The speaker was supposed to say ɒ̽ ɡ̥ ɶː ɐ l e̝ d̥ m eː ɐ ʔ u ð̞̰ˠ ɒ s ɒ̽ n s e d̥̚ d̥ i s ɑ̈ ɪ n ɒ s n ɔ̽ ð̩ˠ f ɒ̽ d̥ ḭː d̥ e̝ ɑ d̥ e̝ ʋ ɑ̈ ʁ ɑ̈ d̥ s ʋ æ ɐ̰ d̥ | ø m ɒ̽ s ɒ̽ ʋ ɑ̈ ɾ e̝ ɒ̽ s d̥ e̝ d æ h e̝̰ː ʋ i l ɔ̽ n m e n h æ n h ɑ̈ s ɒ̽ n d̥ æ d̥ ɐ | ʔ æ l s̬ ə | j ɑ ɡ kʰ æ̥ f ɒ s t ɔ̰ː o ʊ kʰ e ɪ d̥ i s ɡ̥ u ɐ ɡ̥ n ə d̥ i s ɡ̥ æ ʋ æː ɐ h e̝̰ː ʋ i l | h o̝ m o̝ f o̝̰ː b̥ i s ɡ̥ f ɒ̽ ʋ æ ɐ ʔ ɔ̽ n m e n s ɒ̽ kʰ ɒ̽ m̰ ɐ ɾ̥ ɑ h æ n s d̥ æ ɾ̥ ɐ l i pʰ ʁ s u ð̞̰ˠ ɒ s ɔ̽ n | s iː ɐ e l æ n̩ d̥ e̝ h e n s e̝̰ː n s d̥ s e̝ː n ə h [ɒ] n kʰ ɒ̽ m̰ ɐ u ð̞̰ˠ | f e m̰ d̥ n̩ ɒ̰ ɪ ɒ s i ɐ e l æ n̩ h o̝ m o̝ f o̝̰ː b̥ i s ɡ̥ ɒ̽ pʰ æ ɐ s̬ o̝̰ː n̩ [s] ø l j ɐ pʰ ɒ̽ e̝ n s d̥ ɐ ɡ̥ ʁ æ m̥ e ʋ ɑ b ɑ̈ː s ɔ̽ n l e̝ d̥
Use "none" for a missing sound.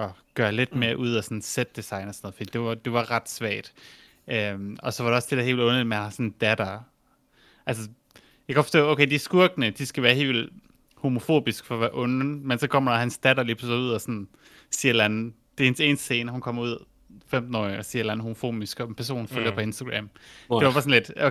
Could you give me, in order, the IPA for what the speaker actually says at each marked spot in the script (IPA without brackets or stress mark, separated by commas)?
u, f